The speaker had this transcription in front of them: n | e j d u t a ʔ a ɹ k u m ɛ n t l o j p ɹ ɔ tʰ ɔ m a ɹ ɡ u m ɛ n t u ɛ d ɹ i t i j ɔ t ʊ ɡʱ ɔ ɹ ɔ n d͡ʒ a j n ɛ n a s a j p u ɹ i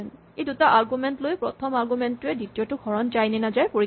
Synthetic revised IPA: n | e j d u t a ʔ a ɹ ɡ u m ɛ n t l o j p ɹ ɔ tʰ ɔ m a ɹ ɡ u m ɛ n t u ɛ d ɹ i t i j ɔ t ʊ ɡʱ ɔ ɹ ɔ n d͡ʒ a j n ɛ n a z a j p o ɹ i